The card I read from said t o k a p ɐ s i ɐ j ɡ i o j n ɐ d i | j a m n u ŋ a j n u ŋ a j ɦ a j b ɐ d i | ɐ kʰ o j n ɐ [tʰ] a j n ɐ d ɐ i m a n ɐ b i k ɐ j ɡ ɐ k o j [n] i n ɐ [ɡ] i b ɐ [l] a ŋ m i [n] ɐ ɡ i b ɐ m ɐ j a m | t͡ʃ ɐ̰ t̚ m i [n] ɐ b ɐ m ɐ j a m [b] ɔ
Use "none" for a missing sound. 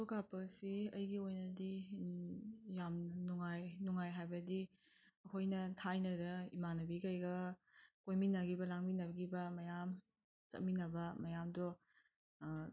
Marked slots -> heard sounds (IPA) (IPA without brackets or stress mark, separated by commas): tʰ, m, ɡ, l, n, n, d